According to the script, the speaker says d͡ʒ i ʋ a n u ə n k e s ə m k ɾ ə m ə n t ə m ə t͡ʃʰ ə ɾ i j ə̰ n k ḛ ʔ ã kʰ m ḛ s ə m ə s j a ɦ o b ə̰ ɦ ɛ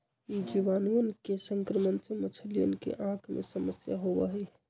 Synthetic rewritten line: d͡ʒ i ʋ a n u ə n k e s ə ŋ k ɾ ə m ə n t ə m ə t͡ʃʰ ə l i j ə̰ n k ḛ ʔ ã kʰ m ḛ s ə m ə s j a ɦ o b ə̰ ɦ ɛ